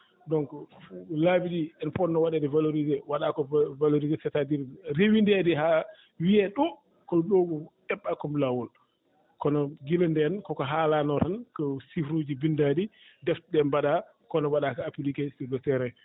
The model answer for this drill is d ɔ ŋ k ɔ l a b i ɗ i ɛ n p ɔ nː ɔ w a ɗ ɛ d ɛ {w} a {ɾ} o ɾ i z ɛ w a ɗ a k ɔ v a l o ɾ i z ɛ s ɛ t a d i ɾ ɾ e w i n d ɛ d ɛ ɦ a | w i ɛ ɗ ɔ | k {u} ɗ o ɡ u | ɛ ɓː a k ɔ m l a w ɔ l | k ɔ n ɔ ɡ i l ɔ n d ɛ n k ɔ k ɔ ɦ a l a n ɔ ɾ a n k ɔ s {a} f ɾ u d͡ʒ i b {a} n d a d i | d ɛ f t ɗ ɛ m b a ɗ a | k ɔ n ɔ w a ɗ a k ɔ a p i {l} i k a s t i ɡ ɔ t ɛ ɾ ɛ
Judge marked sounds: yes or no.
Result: no, no, no, no, no, yes

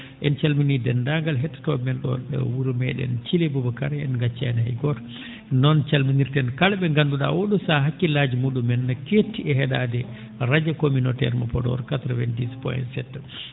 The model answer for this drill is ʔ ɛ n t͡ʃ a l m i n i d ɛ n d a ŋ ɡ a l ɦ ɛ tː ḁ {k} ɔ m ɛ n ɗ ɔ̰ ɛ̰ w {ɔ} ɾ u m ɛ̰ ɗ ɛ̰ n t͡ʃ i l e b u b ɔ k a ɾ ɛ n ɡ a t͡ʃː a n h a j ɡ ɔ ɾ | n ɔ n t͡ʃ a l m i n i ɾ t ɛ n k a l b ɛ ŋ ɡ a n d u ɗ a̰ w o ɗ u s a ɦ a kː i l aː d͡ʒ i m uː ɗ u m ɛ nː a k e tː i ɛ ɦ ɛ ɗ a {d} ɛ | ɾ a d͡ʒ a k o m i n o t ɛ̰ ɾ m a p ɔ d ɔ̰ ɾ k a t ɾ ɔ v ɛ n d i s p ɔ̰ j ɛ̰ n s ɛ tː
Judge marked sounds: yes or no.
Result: no, no, yes

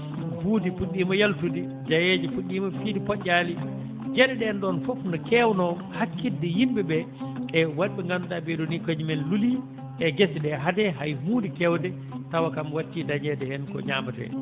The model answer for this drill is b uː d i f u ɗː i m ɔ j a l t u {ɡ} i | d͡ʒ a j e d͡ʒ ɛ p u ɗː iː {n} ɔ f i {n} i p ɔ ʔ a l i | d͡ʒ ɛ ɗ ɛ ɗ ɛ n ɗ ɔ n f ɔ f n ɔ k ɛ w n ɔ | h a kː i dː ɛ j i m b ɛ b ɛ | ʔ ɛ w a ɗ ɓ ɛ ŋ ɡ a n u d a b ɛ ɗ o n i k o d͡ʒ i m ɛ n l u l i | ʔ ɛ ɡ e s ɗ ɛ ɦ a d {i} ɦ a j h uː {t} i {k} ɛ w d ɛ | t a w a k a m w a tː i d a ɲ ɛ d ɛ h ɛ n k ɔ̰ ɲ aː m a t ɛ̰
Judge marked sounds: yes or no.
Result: no, no, no, no, no, yes

